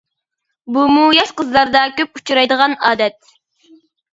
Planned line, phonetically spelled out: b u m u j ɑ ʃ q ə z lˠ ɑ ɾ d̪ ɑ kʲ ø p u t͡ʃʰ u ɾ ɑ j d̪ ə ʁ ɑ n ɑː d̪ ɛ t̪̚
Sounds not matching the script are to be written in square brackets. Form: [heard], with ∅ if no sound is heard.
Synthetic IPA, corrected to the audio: b u m u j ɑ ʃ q ə z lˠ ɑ ɾ d̪ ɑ kʲ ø p u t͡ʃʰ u ɾ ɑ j d̪ ə ʁ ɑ n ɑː d̪ ɛ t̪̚